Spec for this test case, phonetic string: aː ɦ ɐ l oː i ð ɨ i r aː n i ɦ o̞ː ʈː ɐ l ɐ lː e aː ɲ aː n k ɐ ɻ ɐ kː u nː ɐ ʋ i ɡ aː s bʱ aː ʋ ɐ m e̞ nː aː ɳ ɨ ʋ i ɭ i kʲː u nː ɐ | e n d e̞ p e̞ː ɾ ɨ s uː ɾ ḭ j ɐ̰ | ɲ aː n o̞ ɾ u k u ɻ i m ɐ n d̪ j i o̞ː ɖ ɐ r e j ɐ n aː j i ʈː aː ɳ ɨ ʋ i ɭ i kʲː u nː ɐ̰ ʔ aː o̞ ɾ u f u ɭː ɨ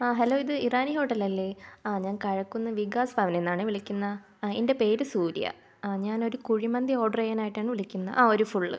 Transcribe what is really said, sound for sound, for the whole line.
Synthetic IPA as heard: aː ɦ ɐ l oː i ð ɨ i r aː n i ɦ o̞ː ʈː ɐ l ɐ lː e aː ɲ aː n k ɐ ɻ ɐ kː u nː ɐ ʋ i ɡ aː s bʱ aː ʋ ɐ n e̞ nː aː ɳ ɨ ʋ i ɭ i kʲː u nː ɐ | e n d e̞ p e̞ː ɾ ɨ s uː ɾ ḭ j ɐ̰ | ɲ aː n o̞ ɾ u k u ɻ i m ɐ n d̪ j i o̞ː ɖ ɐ r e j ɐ n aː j i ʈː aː ɳ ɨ ʋ i ɭ i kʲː u nː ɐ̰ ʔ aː o̞ ɾ u f u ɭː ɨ